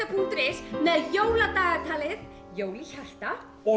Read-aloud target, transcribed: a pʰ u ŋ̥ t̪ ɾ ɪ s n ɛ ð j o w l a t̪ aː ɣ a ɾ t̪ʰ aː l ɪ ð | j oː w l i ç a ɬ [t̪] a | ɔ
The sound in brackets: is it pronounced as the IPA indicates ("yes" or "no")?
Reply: yes